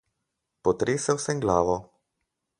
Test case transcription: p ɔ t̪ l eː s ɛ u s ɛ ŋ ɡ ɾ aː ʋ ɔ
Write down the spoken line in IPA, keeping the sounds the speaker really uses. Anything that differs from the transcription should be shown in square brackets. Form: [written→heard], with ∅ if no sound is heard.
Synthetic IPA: p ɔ t̪ [l→ɾ] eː s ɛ [u→w] s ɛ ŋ ɡ [ɾ→l] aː ʋ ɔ